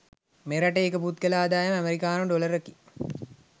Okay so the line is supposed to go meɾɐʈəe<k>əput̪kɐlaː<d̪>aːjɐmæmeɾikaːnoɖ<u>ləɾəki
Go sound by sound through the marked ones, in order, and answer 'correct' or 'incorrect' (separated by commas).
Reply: correct, correct, incorrect